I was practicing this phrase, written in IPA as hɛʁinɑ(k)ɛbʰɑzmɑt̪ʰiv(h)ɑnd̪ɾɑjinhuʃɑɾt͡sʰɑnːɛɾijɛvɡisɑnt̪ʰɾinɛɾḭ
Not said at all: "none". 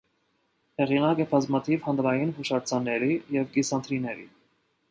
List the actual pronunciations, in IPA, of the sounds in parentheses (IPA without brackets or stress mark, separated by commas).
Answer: k, h